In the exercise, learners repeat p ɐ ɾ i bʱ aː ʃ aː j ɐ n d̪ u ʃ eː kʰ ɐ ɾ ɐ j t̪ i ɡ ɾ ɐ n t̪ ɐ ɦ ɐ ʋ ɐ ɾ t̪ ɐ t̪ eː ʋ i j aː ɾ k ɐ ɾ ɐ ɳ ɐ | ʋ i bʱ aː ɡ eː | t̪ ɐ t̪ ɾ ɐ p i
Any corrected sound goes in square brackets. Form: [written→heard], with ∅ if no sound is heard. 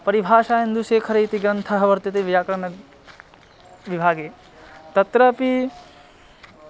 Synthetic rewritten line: p ɐ ɾ i bʱ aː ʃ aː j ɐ n d̪ u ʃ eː kʰ ɐ ɾ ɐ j t̪ i ɡ ɾ ɐ n [t̪→t̪ʰ] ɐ ɦ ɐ ʋ ɐ ɾ t̪ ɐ t̪ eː ʋ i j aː [ɾ→∅] k ɐ ɾ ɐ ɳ ɐ | ʋ i bʱ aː ɡ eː | t̪ ɐ t̪ ɾ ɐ p i